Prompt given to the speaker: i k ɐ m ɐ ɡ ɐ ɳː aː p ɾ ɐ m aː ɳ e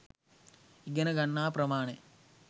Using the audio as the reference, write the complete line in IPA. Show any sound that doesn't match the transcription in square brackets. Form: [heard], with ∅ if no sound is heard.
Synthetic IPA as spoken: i [ɡ] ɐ [n] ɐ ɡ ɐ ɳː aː p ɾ ɐ m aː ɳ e